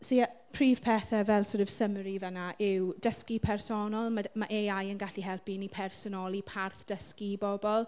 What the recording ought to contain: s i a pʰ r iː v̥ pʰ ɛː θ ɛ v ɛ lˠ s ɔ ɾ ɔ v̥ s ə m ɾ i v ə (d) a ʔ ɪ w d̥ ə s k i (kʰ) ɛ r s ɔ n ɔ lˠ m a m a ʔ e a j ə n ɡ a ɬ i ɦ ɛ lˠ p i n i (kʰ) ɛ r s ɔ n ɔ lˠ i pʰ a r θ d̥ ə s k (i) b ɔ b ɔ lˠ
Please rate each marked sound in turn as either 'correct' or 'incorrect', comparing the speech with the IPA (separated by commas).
incorrect, incorrect, incorrect, correct